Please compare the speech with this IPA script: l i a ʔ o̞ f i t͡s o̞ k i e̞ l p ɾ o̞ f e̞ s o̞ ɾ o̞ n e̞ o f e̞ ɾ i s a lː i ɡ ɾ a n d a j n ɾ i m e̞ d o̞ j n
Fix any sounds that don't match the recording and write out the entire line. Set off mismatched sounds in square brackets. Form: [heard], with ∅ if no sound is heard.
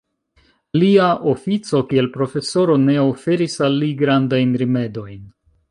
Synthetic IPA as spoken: l i a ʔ o̞ f i t͡s o̞ k i e̞ l p ɾ o̞ f e̞ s o̞ ɾ o̞ n e̞ o f e̞ ɾ i s a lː i ɡ ɾ a n d a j n ɾ i m e̞ d o̞ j n